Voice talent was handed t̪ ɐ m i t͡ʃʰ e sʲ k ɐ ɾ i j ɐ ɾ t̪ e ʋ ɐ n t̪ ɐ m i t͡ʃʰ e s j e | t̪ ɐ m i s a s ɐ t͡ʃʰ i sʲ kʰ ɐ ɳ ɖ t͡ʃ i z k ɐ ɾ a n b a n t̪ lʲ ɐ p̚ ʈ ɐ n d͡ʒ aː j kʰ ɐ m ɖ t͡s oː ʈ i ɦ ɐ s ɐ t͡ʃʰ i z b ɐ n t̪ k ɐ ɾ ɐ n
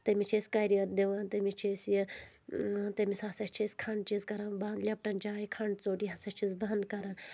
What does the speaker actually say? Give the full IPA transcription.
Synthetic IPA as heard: t̪ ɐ m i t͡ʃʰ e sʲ k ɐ ɾ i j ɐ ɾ d̪ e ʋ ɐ n t̪ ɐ m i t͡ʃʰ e s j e | t̪ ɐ m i s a s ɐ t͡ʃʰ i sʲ kʰ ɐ ɳ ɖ t͡ʃ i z k ɐ ɾ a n b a n d̪ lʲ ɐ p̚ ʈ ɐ n d͡ʒ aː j kʰ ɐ ɳ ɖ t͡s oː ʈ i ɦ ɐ s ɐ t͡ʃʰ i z b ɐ n d̪ k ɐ ɾ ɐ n